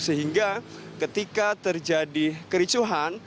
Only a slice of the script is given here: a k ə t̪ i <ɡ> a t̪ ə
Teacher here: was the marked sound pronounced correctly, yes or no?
no